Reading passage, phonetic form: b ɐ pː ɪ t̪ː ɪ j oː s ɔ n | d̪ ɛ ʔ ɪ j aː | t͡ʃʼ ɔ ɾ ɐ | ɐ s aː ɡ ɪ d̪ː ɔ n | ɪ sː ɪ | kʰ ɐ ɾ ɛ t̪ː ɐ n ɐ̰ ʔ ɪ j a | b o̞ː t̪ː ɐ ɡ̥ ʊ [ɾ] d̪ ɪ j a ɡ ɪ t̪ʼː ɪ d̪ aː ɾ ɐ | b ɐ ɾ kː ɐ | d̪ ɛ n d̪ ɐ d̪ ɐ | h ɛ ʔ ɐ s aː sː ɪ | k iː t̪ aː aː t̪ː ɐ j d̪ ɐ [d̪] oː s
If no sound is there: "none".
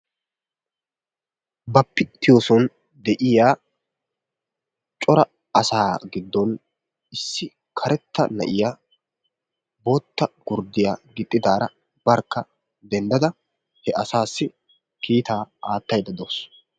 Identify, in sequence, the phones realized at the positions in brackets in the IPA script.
ɾ, d̪

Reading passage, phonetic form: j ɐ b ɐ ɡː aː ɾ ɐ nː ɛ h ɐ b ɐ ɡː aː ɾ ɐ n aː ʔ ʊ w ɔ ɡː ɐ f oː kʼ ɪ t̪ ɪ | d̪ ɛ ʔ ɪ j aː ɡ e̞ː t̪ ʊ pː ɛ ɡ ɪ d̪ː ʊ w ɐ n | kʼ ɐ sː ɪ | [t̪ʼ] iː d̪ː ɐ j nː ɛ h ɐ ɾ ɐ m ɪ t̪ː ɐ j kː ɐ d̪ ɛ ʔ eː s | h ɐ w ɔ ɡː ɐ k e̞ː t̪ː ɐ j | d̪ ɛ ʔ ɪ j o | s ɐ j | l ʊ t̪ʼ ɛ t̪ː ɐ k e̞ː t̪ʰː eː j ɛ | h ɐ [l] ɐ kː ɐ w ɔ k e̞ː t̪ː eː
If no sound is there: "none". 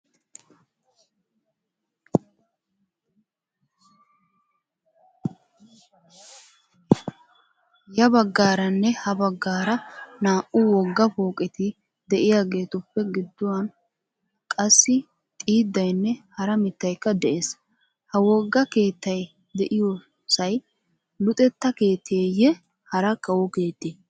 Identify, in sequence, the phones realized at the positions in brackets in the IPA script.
t̪ʼ, ɾ

